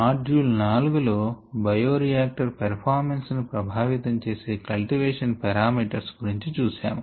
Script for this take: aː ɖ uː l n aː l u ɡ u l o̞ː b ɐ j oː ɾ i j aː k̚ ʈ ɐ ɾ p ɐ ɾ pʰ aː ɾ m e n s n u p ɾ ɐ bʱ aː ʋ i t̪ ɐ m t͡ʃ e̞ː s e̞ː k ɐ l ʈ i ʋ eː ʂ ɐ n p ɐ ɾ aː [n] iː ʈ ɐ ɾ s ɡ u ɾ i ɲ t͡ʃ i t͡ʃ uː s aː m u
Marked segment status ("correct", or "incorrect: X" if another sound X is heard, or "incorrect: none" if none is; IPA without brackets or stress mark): incorrect: m